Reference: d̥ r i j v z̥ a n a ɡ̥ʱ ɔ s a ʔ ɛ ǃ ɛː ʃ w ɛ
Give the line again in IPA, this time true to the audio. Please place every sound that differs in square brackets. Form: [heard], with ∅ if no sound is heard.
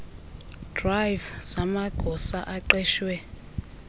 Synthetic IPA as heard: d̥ r [a] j v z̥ a [m] a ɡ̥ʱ ɔ s a ʔ [a] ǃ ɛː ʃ w ɛ